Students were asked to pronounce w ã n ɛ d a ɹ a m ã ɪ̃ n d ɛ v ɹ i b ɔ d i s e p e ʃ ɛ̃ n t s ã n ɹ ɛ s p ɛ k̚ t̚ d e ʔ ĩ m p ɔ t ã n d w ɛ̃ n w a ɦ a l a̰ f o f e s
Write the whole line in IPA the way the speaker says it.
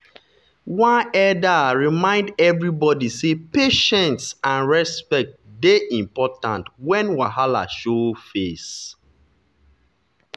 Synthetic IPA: w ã n ɛ d a ɹ i m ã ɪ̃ n d ɛ v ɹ i b ɔ d i s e p e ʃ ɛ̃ n t s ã n ɹ ɛ s p ɛ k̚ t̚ d e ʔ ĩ m p ɔ t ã n t w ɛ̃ n w a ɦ a l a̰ ʃ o f e s